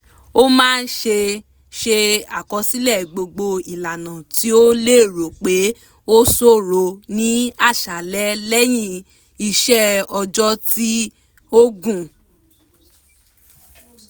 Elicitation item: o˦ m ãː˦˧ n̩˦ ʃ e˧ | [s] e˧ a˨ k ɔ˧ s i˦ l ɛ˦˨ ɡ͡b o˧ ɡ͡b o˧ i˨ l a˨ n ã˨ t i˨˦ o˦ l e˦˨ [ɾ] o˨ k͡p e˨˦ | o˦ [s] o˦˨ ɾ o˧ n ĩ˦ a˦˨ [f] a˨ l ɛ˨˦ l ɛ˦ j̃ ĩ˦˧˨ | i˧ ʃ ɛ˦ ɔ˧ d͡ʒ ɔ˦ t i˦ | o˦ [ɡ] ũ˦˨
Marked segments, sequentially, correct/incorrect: incorrect, correct, correct, incorrect, correct

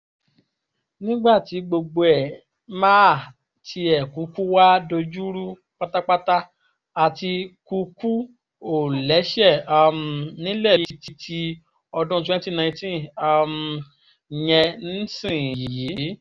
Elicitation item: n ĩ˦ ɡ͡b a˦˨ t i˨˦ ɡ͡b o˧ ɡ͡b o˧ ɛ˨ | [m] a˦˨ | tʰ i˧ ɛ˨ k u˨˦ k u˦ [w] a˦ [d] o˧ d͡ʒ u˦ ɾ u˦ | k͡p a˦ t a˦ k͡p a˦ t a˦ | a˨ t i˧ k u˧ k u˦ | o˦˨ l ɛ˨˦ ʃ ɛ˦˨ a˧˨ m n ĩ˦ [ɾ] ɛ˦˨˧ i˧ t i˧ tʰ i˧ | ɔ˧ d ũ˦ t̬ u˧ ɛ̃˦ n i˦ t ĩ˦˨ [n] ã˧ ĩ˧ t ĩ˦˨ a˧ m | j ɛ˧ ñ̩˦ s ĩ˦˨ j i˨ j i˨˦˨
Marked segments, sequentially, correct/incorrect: correct, correct, correct, incorrect, correct

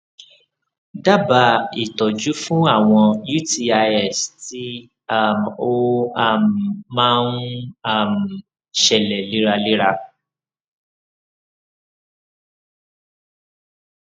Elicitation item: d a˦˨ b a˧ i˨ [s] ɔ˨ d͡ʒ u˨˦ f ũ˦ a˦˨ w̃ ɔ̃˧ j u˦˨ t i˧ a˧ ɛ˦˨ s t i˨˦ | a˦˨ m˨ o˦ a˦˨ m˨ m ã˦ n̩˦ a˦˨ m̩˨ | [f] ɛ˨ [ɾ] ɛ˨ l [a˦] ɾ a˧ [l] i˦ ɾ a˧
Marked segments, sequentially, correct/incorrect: incorrect, incorrect, incorrect, incorrect, correct

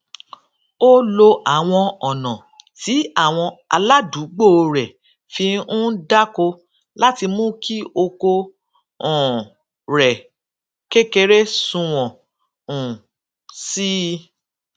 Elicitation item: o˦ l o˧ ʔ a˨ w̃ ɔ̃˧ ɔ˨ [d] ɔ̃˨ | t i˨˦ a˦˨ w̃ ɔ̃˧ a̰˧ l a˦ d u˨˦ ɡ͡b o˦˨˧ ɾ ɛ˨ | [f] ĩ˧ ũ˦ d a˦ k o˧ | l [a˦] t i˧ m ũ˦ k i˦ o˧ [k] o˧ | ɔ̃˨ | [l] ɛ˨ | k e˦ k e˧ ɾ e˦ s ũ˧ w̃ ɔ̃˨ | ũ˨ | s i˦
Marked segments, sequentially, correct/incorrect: incorrect, correct, correct, correct, incorrect

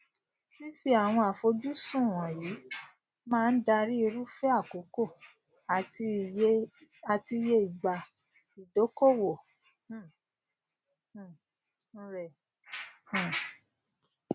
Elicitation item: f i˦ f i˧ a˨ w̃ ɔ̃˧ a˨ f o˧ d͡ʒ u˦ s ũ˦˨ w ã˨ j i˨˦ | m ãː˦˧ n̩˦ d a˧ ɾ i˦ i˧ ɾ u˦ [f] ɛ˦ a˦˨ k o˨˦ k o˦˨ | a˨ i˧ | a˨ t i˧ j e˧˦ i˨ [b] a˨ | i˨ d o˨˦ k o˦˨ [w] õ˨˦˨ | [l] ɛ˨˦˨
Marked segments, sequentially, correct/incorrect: correct, incorrect, correct, incorrect

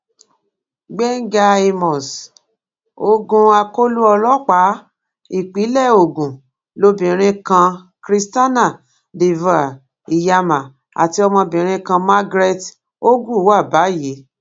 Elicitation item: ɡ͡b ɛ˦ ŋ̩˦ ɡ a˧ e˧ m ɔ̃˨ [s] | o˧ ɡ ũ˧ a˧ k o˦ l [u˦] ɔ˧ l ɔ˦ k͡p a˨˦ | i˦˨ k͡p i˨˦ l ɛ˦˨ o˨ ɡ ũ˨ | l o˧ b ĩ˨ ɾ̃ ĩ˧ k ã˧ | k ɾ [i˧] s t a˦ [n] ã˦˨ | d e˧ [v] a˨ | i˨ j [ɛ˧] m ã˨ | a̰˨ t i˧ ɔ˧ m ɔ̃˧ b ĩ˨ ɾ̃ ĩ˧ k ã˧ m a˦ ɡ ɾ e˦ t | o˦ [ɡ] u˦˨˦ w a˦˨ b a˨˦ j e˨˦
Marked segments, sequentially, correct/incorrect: correct, correct, correct, correct, correct, incorrect, correct

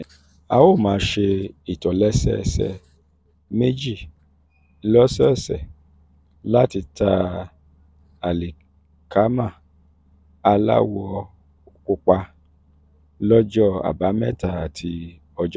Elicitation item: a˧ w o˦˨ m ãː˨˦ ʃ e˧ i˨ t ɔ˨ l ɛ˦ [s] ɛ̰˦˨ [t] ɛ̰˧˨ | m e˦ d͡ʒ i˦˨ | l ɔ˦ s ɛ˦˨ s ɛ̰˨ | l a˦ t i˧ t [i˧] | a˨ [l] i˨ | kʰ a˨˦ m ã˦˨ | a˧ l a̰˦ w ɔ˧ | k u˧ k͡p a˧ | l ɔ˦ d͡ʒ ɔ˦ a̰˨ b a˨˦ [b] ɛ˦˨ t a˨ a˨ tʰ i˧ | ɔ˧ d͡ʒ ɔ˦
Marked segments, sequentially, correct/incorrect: correct, incorrect, incorrect, correct, incorrect

